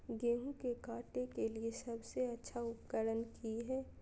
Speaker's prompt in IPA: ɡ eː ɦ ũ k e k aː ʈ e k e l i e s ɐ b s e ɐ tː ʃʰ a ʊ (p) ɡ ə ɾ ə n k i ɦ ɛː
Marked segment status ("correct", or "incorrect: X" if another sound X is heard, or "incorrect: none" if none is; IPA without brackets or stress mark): correct